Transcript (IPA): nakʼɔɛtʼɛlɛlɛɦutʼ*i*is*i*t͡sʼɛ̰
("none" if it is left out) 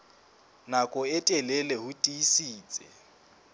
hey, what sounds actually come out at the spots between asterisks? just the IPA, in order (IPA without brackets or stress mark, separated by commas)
i, iː